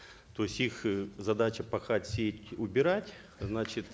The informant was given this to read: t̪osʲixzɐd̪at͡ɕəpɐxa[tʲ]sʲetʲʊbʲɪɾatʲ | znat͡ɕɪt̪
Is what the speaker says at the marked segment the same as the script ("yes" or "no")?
yes